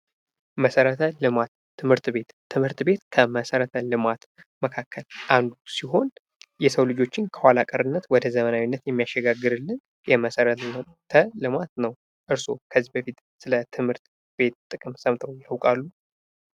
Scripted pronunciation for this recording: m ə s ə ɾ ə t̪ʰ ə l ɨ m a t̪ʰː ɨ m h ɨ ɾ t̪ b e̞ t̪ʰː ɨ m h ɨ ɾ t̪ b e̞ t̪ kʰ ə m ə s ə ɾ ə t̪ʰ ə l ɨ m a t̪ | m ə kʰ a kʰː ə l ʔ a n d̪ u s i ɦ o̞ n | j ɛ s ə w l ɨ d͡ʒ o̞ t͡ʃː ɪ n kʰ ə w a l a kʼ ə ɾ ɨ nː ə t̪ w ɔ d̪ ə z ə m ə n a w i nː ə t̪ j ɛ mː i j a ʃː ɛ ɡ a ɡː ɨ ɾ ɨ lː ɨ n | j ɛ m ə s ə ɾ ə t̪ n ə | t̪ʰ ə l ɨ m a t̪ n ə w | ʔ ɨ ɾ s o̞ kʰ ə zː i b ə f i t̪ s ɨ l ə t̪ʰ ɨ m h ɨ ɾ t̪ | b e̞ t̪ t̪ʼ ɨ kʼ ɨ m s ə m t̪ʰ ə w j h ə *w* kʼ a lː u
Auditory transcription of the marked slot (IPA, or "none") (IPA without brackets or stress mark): w